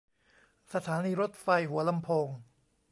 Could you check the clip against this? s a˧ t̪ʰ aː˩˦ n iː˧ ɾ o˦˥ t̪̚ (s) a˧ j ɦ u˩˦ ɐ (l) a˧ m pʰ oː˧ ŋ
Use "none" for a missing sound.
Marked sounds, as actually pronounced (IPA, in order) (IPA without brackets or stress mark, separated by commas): f, l